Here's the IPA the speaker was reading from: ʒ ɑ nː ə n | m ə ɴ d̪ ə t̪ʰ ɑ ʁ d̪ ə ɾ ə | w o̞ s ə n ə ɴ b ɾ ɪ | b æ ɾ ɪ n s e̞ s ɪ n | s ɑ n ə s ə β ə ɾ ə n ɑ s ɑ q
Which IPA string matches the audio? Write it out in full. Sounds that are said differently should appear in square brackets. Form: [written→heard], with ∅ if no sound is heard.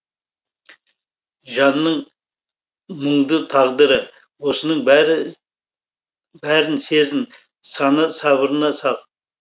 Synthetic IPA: ʒ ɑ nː ə [n→ɴ] | m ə ɴ d̪ ə t̪ʰ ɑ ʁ d̪ ə ɾ ə | w o̞ s ə n ə ɴ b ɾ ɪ | b æ ɾ ɪ n s e̞ [s→z] ɪ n | s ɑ n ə s [ə→ɑ] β ə ɾ ə n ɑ s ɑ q